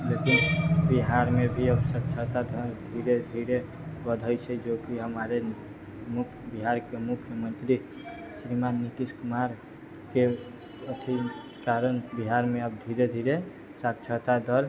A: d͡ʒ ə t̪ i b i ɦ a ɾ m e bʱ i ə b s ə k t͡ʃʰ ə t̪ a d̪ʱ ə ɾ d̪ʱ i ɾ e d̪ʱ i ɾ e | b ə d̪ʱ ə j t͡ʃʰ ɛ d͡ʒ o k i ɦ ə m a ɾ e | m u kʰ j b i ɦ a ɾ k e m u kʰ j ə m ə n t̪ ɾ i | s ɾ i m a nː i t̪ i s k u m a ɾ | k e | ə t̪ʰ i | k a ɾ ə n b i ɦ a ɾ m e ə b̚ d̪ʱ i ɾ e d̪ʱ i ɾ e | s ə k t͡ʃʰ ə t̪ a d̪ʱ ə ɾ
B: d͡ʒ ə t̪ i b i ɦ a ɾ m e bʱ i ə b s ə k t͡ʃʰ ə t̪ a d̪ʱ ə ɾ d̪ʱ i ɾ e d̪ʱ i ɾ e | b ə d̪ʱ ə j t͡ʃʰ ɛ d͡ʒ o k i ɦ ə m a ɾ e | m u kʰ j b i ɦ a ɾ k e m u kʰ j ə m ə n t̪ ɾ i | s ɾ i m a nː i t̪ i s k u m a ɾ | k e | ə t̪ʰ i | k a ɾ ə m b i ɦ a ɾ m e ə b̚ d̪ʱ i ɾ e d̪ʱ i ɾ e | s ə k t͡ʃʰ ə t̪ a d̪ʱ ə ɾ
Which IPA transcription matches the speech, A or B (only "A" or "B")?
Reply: A